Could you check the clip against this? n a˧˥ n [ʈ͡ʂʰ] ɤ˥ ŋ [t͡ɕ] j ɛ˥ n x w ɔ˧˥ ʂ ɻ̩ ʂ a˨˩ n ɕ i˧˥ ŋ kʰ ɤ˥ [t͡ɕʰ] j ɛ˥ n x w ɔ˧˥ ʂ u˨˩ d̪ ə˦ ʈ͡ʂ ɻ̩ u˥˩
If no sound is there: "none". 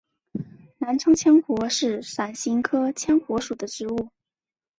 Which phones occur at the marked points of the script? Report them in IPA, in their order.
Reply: ʈ͡ʂʰ, t͡ɕʰ, t͡ɕʰ

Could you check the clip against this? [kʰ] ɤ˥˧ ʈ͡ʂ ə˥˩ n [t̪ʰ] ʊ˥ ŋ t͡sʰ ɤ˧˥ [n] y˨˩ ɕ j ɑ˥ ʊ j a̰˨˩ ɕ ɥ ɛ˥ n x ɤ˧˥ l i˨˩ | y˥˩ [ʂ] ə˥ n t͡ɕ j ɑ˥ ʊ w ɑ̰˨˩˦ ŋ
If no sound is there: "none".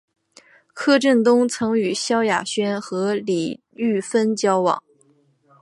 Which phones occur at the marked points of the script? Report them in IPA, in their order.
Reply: kʰ, t̪, ŋ, f

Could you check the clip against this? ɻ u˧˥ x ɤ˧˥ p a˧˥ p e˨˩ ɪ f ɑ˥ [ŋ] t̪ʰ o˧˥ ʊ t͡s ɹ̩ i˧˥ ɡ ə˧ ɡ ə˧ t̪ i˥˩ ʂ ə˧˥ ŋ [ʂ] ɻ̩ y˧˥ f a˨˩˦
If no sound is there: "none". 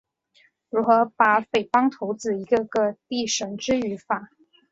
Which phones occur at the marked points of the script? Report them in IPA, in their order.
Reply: ŋ, ʈ͡ʂ

